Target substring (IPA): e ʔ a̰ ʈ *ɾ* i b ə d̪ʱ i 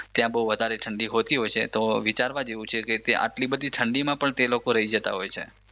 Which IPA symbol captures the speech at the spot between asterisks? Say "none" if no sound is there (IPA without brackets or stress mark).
l